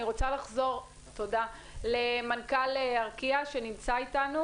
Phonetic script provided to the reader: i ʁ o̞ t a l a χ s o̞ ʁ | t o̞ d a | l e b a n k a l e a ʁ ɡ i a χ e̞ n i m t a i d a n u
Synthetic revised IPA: i ʁ o̞ t͡s a l a χ z o̞ ʁ | t o̞ d a | l e m a n k a l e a ʁ k i a ʃ e̞ n i m t͡s a i t a n u